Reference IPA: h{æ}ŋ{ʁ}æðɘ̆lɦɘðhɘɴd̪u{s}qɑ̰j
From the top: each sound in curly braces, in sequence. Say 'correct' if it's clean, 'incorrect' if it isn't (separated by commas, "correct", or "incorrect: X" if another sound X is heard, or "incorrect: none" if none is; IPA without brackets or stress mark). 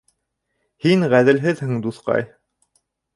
incorrect: i, correct, incorrect: θ